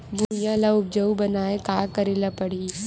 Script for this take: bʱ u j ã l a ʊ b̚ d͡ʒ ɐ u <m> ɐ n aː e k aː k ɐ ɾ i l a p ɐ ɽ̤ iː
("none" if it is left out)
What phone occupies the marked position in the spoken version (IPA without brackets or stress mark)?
b